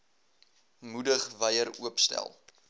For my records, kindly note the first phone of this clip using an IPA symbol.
m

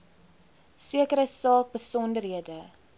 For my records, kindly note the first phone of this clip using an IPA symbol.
s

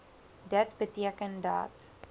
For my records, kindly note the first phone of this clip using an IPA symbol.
d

